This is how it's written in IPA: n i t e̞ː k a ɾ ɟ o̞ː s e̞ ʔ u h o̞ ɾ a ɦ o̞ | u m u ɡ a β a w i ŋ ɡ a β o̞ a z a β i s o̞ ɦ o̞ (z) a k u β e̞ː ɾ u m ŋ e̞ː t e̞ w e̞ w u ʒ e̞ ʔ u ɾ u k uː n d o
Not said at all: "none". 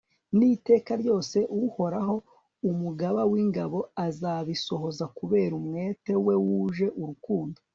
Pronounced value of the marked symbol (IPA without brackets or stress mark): z